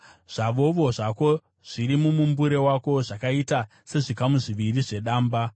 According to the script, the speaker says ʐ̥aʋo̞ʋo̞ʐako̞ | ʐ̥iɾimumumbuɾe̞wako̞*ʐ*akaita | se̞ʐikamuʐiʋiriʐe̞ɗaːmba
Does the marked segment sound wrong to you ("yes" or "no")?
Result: no